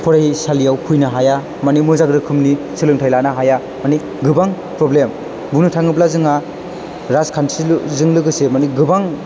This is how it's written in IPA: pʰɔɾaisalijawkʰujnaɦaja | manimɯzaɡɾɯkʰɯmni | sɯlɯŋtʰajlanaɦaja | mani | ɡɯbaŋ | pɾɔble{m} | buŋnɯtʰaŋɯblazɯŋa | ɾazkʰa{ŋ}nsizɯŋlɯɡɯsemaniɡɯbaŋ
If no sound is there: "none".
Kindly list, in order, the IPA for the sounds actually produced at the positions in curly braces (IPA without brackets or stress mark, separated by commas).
m, none